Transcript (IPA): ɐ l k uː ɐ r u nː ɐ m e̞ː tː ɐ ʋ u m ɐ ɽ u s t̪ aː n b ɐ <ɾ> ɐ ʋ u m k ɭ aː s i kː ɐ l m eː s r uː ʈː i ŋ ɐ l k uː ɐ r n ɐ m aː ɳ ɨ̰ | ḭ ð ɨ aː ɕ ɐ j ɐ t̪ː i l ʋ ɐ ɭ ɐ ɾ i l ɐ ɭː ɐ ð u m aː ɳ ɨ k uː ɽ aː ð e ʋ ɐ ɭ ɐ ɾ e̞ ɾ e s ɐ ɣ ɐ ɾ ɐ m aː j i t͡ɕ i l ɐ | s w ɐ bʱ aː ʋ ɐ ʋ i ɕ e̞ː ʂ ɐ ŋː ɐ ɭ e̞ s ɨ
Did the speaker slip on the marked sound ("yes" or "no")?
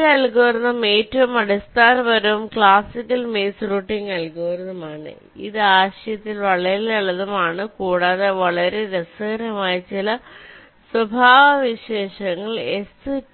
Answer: no